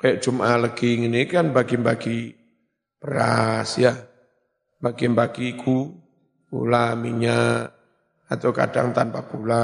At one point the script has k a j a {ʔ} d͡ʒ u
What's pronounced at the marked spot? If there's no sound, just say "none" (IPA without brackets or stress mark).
ʔ